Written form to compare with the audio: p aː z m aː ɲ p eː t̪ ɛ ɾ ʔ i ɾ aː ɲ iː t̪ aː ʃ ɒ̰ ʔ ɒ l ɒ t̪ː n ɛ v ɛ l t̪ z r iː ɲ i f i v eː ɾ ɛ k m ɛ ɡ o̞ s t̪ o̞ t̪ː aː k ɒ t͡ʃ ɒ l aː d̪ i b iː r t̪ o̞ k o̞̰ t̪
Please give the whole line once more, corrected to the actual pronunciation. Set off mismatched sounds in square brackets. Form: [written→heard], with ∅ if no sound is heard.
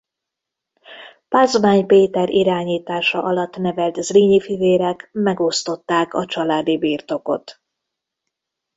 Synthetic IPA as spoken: p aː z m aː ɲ p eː t̪ ɛ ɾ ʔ i ɾ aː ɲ iː t̪ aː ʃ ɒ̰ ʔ ɒ l ɒ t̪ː n ɛ v ɛ l t̪ z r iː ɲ i f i v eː ɾ ɛ k m ɛ ɡ o̞ s t̪ o̞ t̪ː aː k ɒ t͡ʃ ɒ l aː d̪ i b iː r t̪ o̞ k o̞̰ t̪